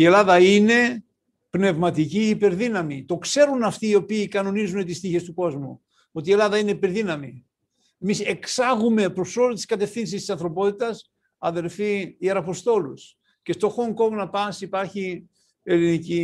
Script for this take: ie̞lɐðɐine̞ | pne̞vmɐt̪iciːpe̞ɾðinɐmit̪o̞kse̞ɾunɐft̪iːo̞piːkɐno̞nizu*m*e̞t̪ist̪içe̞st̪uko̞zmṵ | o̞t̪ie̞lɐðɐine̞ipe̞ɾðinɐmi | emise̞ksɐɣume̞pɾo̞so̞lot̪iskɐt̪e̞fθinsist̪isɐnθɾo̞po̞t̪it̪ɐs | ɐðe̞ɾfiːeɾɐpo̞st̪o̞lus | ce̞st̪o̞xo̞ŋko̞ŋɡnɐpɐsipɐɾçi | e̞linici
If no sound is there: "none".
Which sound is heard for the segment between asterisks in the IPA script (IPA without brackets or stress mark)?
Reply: n